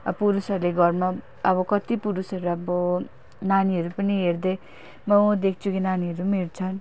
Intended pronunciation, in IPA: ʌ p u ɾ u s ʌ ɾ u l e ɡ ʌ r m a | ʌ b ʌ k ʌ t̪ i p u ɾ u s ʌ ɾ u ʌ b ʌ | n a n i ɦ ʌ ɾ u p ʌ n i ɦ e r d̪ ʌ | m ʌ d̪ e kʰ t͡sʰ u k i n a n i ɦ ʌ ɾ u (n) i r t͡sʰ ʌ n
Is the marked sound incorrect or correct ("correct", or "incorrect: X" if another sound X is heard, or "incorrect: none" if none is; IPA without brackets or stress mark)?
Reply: incorrect: m